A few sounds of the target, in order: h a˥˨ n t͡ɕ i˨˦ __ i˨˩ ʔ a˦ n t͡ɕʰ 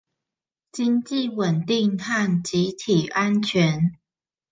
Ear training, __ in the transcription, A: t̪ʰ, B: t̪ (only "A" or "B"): A